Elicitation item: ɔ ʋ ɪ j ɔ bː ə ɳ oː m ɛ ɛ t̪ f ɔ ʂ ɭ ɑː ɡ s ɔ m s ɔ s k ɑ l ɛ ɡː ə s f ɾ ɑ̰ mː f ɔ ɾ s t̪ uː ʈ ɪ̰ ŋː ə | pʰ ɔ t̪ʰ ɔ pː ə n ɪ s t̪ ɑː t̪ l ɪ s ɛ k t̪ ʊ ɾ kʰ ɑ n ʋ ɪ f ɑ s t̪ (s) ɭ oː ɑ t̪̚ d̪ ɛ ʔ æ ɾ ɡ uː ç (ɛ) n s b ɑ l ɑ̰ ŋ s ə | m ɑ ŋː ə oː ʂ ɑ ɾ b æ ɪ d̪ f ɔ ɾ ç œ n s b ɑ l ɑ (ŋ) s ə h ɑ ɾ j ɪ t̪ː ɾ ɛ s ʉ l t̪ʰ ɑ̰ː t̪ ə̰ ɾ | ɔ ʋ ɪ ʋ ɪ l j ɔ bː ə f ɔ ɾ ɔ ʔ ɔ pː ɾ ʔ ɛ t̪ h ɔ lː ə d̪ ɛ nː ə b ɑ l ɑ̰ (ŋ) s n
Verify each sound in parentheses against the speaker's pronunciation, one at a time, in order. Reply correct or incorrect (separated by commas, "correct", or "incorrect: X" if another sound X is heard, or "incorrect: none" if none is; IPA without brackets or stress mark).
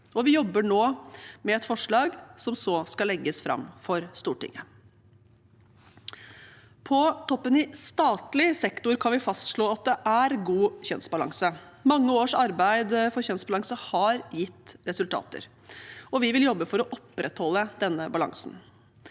incorrect: ʂ, incorrect: œ, correct, correct